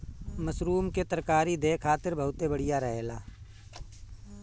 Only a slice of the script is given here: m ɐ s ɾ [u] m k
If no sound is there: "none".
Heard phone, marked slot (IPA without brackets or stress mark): uː